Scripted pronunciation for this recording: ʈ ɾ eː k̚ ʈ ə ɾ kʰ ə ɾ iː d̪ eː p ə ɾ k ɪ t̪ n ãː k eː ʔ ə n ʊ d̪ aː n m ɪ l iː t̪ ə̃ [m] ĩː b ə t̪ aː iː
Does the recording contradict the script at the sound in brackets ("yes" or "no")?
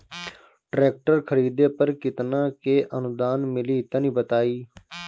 yes